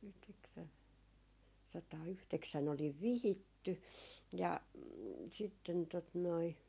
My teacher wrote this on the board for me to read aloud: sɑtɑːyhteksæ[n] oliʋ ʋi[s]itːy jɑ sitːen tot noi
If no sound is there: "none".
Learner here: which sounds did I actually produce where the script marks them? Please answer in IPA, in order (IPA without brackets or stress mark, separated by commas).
n, h